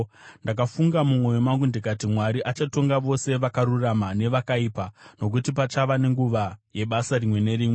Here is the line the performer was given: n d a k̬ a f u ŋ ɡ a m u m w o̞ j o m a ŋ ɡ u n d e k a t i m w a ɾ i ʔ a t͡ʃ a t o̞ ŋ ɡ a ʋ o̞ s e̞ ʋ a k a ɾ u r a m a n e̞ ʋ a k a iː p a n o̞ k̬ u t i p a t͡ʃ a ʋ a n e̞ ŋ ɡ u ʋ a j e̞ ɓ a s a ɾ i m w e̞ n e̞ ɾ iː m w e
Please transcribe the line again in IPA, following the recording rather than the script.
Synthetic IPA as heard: n d a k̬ a f u ŋ ɡ a m u m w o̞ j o m a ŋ ɡ u n d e k a t i m w a ɾ i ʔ a t͡ʃ a t o̞ ŋ ɡ a ʋ o̞ s e̞ ʋ a k a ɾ u r a m a n e̞ ʋ a k a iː p a n o̞ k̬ u t i p a t͡ʃ a ʋ a n e̞ ŋ ɡ u ʋ a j e̞ ɓ a s a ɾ i m w e̞ n e̞ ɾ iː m w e